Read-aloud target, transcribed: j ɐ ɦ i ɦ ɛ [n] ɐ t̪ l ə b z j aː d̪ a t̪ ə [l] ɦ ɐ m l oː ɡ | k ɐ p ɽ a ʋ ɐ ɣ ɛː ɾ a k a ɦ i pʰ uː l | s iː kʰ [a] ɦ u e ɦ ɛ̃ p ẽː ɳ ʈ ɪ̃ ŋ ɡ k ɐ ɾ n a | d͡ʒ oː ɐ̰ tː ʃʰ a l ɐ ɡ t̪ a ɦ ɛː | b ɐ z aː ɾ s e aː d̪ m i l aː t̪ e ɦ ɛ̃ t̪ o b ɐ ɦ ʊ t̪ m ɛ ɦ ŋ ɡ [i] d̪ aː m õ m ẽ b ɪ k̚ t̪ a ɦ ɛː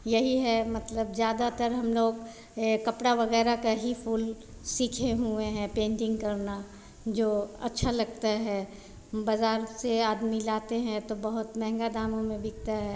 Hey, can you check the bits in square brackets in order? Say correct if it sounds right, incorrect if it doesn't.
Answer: incorrect: m, incorrect: ɾ, incorrect: e, incorrect: a

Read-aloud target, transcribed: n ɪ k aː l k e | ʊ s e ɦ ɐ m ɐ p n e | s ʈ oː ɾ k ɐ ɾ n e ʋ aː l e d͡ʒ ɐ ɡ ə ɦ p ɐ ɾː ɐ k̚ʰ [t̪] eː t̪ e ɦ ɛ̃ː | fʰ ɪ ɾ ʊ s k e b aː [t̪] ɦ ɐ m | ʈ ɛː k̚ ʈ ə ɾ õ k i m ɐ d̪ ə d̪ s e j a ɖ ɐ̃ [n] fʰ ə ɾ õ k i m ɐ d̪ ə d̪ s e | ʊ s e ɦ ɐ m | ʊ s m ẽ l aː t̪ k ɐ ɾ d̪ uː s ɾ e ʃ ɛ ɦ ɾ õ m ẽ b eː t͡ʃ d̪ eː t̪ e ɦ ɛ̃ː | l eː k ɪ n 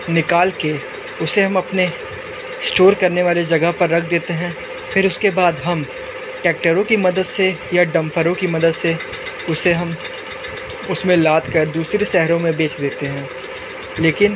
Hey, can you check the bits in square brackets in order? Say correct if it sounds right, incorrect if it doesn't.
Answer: incorrect: d̪, incorrect: d̪, incorrect: m

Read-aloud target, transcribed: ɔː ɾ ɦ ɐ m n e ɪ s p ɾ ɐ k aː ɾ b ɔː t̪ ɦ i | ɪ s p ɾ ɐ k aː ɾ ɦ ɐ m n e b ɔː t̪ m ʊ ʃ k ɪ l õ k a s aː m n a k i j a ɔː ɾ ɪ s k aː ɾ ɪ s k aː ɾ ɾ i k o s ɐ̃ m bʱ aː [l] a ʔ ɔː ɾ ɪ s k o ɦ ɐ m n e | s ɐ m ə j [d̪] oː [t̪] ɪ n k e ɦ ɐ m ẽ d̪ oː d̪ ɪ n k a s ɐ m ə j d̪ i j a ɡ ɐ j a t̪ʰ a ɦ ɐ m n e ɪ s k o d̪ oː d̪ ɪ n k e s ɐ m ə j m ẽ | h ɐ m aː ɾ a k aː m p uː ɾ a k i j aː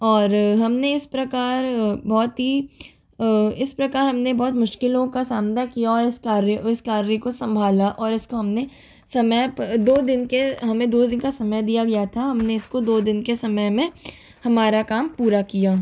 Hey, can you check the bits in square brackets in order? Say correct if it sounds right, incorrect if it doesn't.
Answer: correct, correct, incorrect: d̪

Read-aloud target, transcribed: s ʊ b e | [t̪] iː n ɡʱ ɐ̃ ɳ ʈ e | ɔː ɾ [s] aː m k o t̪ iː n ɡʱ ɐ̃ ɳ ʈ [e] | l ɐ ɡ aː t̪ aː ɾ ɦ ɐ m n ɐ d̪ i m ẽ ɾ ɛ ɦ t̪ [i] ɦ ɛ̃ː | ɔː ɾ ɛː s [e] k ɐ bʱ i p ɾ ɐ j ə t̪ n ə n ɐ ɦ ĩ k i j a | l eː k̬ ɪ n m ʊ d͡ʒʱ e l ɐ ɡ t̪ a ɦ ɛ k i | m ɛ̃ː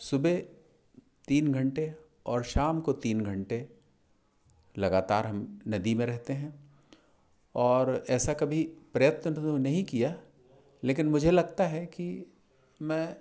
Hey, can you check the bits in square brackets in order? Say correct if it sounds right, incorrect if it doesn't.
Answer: correct, incorrect: ʃ, correct, incorrect: e, incorrect: a

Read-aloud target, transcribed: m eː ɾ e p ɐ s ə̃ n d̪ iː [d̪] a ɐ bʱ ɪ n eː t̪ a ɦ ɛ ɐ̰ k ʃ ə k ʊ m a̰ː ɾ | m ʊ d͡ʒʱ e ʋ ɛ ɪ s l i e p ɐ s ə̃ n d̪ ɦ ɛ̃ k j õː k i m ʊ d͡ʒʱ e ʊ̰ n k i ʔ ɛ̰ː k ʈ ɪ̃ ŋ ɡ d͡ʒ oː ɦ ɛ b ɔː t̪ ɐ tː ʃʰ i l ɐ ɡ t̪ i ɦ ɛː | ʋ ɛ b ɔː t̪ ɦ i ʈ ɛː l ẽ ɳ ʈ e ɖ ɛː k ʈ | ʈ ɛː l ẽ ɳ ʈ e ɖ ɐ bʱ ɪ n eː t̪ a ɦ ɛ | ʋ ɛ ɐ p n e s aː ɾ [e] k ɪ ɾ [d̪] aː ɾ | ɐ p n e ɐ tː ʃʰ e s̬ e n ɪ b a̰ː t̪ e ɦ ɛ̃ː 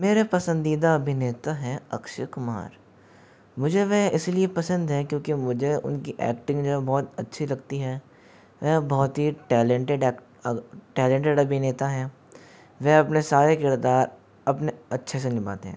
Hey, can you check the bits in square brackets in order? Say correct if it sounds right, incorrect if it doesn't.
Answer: correct, correct, correct

